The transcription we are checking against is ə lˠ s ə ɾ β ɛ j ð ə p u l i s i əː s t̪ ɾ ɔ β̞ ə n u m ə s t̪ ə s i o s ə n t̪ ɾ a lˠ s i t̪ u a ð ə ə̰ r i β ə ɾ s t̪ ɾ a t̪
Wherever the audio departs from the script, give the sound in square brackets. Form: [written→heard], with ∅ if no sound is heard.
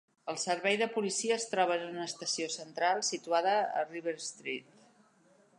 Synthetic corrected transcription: ə lˠ s ə ɾ β ɛ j ð ə p u l i s i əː s t̪ ɾ ɔ β̞ ə n u [m→n] ə s t̪ ə s i o s ə n t̪ ɾ a lˠ s i t̪ u a ð ə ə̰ r i β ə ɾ s t̪ ɾ [a→i] t̪